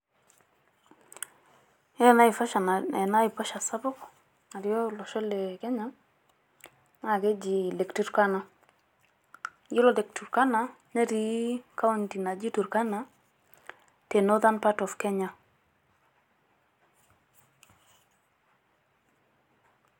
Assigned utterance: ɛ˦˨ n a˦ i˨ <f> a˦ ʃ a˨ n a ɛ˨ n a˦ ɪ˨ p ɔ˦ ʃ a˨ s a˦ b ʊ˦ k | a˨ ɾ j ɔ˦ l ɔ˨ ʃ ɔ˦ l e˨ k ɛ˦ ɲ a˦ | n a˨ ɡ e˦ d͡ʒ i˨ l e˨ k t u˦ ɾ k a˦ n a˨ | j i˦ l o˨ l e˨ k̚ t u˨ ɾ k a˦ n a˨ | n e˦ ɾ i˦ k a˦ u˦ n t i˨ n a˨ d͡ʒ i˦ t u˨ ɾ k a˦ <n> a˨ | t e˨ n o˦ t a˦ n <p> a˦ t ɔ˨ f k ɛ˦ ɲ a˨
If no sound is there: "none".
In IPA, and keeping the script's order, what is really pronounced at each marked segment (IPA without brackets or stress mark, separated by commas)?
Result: f, n, p